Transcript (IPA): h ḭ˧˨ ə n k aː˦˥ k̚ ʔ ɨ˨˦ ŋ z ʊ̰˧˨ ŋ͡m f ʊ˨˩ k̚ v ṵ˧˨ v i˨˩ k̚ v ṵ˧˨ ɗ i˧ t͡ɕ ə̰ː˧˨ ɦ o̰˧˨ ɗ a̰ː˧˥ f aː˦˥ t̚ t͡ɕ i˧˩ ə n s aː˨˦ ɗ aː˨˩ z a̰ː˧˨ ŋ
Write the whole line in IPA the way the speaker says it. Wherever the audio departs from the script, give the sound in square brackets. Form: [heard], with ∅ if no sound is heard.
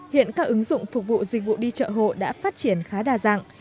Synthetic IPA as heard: h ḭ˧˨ ə n k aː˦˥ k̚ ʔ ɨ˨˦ ŋ z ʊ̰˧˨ ŋ͡m f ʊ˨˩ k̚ v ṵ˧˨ [z] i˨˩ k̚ v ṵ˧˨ ɗ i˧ t͡ɕ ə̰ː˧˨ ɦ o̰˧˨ ɗ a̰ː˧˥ f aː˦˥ t̚ t͡ɕ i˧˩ ə n [x] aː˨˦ ɗ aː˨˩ z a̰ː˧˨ ŋ